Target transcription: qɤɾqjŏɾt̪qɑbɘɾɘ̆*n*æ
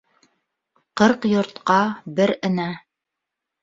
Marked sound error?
no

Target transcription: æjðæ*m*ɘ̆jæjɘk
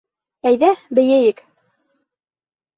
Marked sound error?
yes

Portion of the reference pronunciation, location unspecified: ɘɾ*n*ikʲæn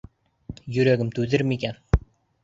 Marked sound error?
yes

